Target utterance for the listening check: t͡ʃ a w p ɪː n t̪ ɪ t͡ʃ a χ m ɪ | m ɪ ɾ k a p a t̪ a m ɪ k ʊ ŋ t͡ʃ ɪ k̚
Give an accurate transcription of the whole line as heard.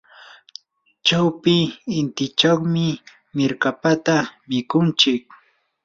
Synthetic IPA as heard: t͡ʃ a w p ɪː n t̪ ɪ t͡ʃ a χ m ɪ | m ɪ ɾ k a p a t̪ a m ɪ k ʊ n t͡ʃ ɪ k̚